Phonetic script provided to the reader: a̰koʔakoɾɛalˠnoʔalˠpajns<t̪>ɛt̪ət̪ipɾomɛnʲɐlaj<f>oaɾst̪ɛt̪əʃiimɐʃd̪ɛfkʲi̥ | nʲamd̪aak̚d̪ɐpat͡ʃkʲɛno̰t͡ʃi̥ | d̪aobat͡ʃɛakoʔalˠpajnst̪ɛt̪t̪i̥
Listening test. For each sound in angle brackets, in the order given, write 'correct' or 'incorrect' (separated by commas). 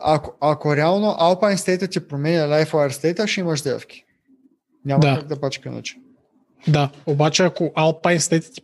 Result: correct, correct